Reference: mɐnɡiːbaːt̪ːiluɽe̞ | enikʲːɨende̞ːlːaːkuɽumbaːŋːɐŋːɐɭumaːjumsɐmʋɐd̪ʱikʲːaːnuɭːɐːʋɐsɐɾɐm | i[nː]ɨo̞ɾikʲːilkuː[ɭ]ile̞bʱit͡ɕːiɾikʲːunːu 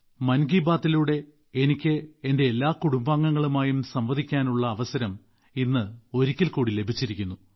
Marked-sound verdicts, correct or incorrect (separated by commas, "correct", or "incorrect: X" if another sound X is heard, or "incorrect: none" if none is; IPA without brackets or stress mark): correct, incorrect: ɽ